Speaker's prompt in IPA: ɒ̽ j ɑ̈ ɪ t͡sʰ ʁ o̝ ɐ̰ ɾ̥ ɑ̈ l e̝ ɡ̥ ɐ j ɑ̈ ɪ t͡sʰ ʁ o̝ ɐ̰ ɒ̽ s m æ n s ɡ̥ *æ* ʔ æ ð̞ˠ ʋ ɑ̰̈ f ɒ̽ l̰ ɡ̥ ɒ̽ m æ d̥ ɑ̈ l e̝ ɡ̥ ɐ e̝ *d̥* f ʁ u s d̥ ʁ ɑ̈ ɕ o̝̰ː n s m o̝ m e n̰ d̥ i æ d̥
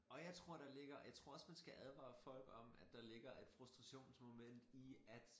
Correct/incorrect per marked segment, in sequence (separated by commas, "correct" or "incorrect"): correct, correct